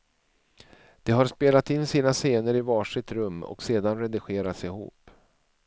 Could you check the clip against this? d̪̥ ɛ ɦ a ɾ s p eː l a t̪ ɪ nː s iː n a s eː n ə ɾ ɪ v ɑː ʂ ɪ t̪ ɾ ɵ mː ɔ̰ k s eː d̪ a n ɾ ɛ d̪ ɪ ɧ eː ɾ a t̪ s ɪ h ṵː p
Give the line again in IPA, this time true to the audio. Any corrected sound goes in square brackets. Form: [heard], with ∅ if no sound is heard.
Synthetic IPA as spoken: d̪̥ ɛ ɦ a ɾ s p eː l a t̪ ɪ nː s iː n a s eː n ə ɾ ɪ v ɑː ʂ ɪ t̪ ɾ ɵ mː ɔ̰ k s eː d̪ a n ɾ ɛ d̪ ɪ ɧ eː ɾ a t̪ s ɪ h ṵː p